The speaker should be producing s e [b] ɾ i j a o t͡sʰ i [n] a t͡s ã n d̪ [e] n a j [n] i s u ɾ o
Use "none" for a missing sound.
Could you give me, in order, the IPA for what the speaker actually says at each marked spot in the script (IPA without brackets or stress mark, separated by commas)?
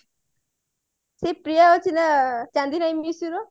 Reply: p, n, i, m